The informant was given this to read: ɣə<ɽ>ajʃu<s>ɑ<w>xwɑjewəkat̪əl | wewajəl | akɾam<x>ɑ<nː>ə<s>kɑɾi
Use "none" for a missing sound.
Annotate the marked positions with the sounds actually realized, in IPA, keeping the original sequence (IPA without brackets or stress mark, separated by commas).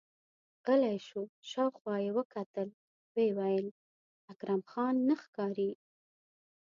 l, ʃ, w, x, nː, x